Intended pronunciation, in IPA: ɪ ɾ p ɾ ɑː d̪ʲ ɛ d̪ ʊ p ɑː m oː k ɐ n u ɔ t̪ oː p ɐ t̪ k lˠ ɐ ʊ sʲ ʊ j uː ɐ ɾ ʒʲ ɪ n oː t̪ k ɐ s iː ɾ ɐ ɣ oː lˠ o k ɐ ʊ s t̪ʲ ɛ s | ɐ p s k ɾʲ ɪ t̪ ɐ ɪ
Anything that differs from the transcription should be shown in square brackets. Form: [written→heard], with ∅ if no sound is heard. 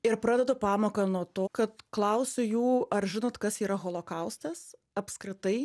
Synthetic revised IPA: ɪ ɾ p ɾ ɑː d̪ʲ ɛ d̪ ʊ p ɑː m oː k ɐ n u ɔ t̪ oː [p→k] ɐ t̪ k lˠ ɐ ʊ sʲ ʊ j uː ɐ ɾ ʒʲ ɪ n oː t̪ k ɐ s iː ɾ ɐ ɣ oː lˠ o k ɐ ʊ s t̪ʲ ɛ s | ɐ p s k ɾʲ ɪ t̪ ɐ ɪ